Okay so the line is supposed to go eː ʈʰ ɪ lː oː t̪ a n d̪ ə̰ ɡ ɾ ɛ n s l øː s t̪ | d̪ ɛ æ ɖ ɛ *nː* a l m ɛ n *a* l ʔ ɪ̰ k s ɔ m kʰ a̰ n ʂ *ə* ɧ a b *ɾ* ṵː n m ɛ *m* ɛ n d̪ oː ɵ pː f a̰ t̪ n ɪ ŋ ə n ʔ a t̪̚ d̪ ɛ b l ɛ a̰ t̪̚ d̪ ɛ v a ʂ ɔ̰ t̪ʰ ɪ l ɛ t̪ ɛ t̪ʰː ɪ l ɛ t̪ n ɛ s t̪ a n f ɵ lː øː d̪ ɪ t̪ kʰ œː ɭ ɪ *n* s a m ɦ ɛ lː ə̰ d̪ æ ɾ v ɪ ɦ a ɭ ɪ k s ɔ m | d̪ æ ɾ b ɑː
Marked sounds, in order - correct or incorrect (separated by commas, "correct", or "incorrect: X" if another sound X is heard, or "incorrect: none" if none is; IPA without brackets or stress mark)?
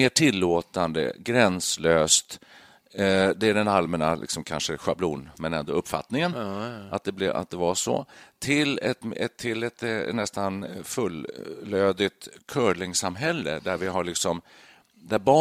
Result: incorrect: n, correct, correct, incorrect: l, incorrect: n, incorrect: ŋ